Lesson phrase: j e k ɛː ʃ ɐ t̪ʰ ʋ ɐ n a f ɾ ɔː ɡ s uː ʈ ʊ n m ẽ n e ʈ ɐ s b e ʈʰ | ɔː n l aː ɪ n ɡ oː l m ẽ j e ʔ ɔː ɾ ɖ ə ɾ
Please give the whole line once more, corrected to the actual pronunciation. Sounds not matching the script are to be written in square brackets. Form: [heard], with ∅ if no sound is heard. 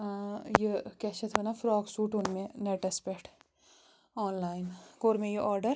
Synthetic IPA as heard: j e k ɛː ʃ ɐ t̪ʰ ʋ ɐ n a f ɾ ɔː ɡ s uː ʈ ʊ n m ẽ n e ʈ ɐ s [p] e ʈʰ | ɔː n l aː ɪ n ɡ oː [ɾ] m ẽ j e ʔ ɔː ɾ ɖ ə ɾ

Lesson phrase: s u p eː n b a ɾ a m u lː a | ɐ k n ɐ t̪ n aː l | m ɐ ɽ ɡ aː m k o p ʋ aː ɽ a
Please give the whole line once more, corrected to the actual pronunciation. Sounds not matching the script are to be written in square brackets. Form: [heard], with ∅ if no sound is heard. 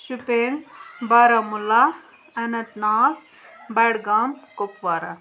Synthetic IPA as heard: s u p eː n b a ɾ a m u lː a | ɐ [∅] n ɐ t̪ n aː l | [b] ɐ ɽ ɡ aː m k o p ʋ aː [ɾ] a

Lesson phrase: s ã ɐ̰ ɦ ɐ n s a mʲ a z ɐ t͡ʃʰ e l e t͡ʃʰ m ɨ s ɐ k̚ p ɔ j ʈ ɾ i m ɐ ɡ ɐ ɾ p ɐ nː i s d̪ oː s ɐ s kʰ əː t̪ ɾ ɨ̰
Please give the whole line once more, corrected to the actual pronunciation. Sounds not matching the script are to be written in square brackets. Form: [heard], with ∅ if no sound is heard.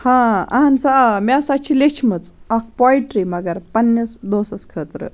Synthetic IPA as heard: [h] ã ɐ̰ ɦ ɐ n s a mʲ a [s] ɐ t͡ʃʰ [i] l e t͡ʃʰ m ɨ [t͡s] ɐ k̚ p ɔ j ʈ ɾ i m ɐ ɡ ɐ ɾ p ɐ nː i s d̪ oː s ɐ s kʰ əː t̪ ɾ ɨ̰

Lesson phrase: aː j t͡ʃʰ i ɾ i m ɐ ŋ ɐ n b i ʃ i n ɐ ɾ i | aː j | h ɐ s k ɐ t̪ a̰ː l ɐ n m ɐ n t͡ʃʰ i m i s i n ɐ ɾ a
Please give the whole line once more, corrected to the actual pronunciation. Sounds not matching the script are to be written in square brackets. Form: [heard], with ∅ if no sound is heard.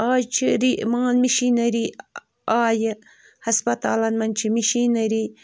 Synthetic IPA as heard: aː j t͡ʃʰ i ɾ i m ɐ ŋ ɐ n [m] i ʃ i n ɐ ɾ i | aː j | h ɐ s [p] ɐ t̪ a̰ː l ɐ n m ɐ n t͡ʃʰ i m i [ʃ] i n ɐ ɾ [i]

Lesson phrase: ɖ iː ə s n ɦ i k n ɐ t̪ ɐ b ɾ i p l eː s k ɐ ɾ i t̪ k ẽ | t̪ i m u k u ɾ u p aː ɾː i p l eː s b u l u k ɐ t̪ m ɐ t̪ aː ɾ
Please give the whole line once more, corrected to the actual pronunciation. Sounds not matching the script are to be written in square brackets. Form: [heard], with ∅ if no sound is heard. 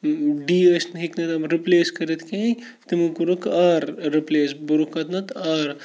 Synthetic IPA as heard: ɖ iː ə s n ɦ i k n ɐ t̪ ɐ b ɾ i p l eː s k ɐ ɾ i t̪ k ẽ | t̪ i m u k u ɾ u [k] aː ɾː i p l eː s b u [ɾ] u k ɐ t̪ [n] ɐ t̪ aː ɾ

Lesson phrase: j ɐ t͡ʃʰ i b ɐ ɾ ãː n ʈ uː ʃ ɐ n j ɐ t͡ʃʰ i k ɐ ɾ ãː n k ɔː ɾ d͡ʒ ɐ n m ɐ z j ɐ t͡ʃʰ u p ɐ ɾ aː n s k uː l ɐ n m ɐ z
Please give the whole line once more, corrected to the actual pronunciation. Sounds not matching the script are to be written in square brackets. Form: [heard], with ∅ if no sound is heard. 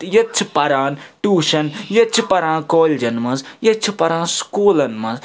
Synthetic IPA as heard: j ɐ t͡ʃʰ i [p] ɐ ɾ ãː n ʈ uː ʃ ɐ n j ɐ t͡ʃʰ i [p] ɐ ɾ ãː n k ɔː [l] d͡ʒ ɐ n m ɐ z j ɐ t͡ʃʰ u p ɐ ɾ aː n s k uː l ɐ n m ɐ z

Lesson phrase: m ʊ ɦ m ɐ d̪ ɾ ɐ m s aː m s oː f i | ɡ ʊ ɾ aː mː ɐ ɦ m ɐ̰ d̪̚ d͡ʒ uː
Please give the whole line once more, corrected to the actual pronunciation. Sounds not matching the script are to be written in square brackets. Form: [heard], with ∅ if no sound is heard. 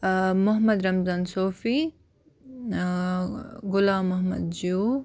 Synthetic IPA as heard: m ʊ ɦ m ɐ d̪ ɾ ɐ m [z] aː [n] s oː f i | ɡ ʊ [l] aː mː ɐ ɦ m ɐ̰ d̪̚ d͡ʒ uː

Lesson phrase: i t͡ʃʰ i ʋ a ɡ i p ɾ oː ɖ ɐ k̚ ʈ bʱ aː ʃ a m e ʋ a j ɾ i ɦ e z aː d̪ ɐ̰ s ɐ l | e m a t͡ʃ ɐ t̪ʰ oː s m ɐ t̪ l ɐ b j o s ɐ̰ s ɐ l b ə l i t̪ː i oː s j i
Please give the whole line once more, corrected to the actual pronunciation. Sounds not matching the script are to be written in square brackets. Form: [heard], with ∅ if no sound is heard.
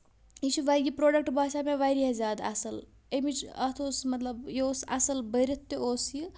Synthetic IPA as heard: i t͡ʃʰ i ʋ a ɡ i p ɾ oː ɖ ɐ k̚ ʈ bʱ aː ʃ a m e ʋ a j ɾ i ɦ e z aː d̪ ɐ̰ s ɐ l | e m [i] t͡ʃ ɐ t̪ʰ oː s m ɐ t̪ l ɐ b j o s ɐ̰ s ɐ l b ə [ɾ] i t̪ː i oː s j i

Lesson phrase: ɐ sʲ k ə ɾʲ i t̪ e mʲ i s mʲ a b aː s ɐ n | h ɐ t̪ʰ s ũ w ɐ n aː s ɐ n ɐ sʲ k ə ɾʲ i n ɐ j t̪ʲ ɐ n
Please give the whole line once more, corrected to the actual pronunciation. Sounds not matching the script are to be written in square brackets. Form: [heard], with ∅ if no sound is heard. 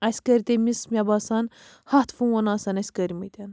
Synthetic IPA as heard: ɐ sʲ k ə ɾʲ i t̪ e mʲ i s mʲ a b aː s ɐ n | h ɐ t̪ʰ [f] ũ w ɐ n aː s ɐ n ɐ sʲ k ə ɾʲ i [m] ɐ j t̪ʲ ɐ n

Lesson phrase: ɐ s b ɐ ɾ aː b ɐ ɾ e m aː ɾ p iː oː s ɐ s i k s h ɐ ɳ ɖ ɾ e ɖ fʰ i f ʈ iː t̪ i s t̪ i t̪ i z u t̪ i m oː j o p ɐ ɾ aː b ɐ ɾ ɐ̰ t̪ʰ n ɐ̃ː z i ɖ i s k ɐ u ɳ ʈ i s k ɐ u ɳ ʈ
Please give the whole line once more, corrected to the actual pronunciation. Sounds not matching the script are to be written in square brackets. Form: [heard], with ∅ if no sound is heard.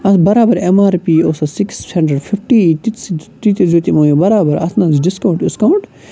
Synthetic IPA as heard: ɐ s b ɐ ɾ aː b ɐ ɾ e m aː ɾ p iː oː s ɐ s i k s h ɐ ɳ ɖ ɾ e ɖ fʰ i f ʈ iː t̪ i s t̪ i t̪ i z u t̪ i m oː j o [b] ɐ ɾ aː b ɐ ɾ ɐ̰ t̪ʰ n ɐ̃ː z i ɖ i s k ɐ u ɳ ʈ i s k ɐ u ɳ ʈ

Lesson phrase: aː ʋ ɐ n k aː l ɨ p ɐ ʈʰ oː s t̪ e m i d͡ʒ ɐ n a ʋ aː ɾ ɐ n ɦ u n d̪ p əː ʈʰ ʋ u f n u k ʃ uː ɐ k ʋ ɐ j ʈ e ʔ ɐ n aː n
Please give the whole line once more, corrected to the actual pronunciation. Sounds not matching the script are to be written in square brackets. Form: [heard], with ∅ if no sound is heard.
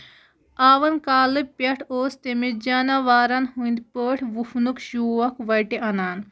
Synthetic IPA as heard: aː ʋ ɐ n k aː l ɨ p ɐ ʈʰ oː s t̪ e m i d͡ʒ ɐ n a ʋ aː ɾ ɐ n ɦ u n d̪ p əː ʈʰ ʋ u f n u k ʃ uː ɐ k ʋ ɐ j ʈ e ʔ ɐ n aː n

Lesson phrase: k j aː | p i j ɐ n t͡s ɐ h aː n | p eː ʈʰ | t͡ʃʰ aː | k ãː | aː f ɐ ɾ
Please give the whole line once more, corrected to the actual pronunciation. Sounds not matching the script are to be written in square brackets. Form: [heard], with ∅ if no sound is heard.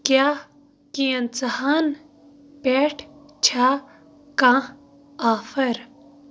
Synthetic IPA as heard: k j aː | [k] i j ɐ n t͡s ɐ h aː n | p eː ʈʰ | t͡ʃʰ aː | k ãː | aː f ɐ ɾ

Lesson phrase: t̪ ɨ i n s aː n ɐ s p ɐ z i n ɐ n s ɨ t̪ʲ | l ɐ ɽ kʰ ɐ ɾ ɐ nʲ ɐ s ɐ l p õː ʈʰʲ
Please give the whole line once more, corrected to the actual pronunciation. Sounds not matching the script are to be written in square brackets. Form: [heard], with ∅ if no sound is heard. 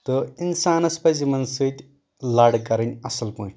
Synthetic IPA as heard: t̪ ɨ i n s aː n ɐ s p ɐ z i [m] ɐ n s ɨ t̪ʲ | l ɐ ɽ [k] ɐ ɾ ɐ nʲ ɐ s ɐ l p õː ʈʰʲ

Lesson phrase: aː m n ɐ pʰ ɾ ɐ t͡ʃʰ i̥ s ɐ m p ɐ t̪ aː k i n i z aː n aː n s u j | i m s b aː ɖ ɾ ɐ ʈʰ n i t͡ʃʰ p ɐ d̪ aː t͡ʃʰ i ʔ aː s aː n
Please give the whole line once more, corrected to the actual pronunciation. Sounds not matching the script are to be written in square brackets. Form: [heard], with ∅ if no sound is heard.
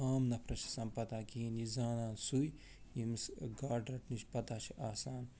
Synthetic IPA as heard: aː m n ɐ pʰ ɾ ɐ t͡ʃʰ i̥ s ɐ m p ɐ t̪ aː k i n i z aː n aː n s u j | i m s [ɡ] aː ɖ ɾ ɐ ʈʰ n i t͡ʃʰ p ɐ [t̪] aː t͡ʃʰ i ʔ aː s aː n

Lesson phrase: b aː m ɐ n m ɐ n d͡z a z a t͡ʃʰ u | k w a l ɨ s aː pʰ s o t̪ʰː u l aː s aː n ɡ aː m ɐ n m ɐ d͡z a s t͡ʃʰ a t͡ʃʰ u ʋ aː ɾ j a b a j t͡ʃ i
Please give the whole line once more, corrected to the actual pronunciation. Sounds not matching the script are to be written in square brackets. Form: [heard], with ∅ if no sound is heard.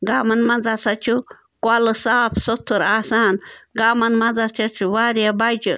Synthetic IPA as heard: [ɡ] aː m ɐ n m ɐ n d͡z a [s] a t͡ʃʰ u | k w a l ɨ s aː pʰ s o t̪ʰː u [ɾ] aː s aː n ɡ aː m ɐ n m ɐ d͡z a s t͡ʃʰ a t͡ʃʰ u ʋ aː ɾ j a b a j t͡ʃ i

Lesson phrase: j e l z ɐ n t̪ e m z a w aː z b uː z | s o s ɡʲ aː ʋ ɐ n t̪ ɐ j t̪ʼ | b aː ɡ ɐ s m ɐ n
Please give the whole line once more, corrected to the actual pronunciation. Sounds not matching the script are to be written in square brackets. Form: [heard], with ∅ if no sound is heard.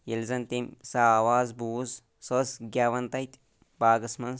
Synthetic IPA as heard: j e l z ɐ n t̪ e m [s] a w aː z b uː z | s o s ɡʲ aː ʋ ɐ n t̪ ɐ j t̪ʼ | b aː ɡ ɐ s m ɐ n

